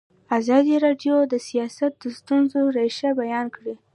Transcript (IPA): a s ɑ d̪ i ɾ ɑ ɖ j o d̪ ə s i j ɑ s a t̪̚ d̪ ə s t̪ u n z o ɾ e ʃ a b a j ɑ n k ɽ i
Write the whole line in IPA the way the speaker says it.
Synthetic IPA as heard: a z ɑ d̪ i ɾ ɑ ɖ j o d̪ ə s i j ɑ s a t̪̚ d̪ ə s t̪ u n z o ɾ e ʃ a b a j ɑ n k ɽ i